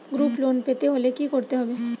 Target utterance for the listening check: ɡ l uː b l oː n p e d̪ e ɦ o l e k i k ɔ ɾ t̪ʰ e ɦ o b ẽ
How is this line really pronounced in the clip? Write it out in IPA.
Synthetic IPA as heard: ɡ ɾ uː p l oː n p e t̪ e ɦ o l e k i k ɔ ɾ t̪ e ɦ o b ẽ